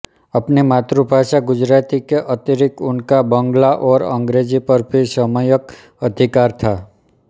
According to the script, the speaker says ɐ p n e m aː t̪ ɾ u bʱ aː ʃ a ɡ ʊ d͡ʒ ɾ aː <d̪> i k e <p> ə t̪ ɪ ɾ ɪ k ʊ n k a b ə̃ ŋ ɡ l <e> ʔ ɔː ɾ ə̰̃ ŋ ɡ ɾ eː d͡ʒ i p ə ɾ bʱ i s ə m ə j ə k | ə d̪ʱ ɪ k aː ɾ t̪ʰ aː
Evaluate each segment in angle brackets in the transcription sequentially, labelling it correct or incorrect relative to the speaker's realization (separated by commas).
incorrect, incorrect, incorrect